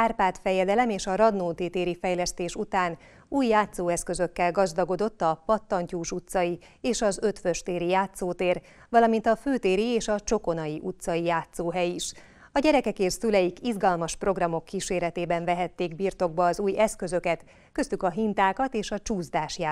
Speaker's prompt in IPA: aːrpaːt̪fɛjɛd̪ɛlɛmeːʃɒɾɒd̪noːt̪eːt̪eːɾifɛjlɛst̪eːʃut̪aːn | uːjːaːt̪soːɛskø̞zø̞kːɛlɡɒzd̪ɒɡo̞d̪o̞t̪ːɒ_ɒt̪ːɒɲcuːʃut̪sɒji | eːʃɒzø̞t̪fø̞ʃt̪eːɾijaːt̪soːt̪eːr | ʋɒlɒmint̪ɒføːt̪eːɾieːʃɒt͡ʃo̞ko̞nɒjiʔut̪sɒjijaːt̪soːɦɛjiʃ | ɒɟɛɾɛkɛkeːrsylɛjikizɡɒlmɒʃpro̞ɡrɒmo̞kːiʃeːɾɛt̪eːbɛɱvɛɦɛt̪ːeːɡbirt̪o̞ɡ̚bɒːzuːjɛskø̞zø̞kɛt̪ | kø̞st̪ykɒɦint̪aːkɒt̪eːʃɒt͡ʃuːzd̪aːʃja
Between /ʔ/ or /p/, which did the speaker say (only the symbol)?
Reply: p